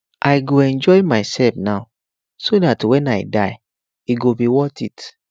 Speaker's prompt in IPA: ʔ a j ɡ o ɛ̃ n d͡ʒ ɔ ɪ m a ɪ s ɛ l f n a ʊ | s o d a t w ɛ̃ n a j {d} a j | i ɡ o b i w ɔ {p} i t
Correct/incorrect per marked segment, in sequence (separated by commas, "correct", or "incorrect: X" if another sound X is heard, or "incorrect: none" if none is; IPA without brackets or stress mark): correct, incorrect: t